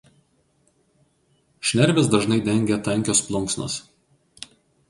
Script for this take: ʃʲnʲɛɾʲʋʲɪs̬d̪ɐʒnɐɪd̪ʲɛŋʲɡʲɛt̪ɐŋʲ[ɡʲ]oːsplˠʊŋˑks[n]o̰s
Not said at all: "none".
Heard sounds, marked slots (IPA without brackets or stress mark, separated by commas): kʲ, n